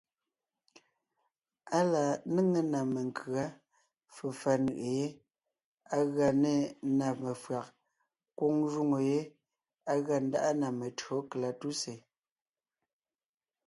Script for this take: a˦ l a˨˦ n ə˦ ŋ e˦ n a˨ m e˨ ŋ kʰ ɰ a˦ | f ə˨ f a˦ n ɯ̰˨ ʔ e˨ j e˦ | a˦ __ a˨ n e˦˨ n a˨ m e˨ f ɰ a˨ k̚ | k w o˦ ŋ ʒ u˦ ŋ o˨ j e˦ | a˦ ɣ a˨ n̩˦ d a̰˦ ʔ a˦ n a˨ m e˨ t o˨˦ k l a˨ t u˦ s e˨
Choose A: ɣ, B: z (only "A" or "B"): A